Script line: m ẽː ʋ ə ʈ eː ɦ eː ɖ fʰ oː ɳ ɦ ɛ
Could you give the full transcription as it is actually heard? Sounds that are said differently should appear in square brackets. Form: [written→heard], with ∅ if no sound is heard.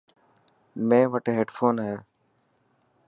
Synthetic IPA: m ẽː ʋ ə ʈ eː ɦ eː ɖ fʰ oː [ɳ→n] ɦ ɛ